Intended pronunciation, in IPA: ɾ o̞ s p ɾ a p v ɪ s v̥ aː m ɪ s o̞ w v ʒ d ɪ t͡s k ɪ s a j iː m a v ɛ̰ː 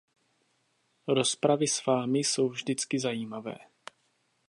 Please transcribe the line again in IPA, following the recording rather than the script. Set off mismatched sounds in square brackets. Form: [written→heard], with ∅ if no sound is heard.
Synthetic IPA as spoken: ɾ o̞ s p ɾ a [p→∅] v ɪ s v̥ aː m ɪ s o̞ w v ʒ d ɪ t͡s k ɪ [s→z] a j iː m a v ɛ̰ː

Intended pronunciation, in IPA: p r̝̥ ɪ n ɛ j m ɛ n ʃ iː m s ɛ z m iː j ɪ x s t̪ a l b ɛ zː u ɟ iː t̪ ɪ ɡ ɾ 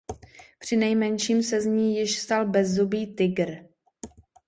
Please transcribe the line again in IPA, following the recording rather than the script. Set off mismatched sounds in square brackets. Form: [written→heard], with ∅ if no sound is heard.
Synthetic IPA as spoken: p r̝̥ ɪ n ɛ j m ɛ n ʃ iː m s ɛ z [m→ɲ] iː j ɪ [x→ʃ] s t̪ a l b ɛ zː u [ɟ→b] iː t̪ ɪ ɡ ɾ

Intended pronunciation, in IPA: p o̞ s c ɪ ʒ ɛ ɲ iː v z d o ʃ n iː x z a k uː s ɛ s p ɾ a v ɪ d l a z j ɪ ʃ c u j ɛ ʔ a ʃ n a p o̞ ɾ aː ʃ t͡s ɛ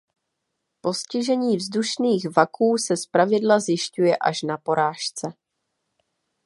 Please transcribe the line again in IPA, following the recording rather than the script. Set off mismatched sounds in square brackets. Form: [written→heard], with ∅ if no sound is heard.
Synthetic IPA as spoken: p o̞ s c ɪ ʒ ɛ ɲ iː v z d [o→u] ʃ n iː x [z→v] a k uː s ɛ s p ɾ a v ɪ d l a z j ɪ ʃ c u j ɛ ʔ a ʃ n a p o̞ ɾ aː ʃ t͡s ɛ

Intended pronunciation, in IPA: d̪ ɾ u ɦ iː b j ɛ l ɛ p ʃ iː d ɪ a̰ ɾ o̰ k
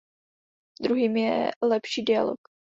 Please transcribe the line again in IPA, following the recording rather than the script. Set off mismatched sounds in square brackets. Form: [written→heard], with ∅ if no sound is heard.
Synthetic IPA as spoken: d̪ ɾ u ɦ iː [b→m] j ɛ l ɛ p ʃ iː d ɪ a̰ [ɾ→l] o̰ k

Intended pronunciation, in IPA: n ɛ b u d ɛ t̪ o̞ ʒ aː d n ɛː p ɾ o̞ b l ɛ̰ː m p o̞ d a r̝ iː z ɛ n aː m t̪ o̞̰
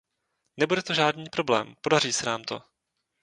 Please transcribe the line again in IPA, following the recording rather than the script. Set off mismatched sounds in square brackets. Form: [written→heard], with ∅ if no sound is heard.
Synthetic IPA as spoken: n ɛ b u d ɛ t̪ o̞ ʒ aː d n [ɛː→iː] p ɾ o̞ b l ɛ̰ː m p o̞ d a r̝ iː [z→s] ɛ n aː m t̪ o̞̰

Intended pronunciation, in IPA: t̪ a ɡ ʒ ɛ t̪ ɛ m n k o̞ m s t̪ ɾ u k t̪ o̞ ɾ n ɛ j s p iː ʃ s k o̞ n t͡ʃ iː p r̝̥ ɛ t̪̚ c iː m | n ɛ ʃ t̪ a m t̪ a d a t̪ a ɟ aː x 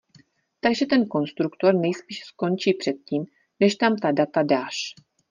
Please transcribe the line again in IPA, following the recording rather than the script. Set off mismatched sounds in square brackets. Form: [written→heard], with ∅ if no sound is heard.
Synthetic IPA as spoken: t̪ a ɡ ʒ ɛ t̪ ɛ [m→∅] n k o̞ [m→n] s t̪ ɾ u k t̪ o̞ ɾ n ɛ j s p iː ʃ s k o̞ n t͡ʃ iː p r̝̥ ɛ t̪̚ c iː m | n ɛ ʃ t̪ a m t̪ a d a t̪ a [ɟ→d] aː [x→ʃ]

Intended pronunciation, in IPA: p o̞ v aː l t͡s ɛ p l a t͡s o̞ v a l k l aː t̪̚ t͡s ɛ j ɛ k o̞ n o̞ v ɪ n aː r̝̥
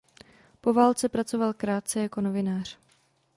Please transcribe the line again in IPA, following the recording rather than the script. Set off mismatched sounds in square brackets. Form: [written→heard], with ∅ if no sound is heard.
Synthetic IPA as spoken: p o̞ v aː l t͡s ɛ p [l→ɾ] a t͡s o̞ v a l k [l→ɾ] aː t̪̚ t͡s ɛ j [ɛ→a] k o̞ n o̞ v ɪ n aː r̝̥

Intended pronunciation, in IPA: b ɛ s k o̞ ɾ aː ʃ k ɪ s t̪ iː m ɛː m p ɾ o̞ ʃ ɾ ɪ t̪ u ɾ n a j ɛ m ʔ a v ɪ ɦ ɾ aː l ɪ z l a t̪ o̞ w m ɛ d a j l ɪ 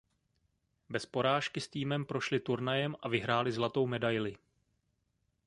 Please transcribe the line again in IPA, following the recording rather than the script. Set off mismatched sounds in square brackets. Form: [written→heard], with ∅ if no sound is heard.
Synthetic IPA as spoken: b ɛ s [k→p] o̞ ɾ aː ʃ k ɪ s t̪ iː m [ɛː→ɛ] m p ɾ o̞ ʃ [ɾ→l] ɪ t̪ u ɾ n a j ɛ m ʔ a v ɪ ɦ ɾ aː l ɪ z l a t̪ o̞ w m ɛ d a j l ɪ

